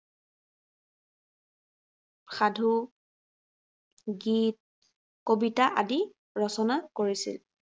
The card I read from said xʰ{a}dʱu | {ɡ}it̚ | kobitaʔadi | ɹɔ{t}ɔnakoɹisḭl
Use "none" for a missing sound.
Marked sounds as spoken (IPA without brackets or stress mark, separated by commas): a, ɡ, s